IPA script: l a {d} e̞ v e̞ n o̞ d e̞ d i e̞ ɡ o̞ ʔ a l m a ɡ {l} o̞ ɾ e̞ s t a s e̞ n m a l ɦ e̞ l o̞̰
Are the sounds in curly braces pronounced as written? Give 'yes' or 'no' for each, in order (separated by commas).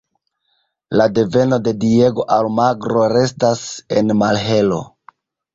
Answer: yes, no